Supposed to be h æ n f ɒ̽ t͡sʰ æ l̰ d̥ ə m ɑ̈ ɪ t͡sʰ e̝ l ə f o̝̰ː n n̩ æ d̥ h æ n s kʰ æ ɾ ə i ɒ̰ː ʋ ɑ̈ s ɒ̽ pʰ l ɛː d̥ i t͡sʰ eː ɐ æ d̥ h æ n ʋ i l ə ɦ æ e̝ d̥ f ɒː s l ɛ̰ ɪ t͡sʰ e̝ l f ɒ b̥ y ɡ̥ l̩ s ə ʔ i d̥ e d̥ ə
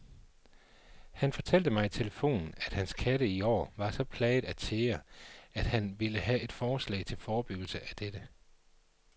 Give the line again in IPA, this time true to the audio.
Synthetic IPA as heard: h æ n f ɒ̽ t͡sʰ æ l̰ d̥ ə m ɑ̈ ɪ t͡sʰ e̝ l ə f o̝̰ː n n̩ æ d̥ h æ n s kʰ æ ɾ ə i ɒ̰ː ʋ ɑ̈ s ɒ̽ pʰ l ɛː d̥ æ t͡sʰ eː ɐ æ d̥ h æ n ʋ i l ə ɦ æ e̝ d̥ f ɒː s l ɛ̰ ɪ t͡sʰ e̝ l f ɒː b̥ y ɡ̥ l̩ s ə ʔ æ d̥ e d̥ ə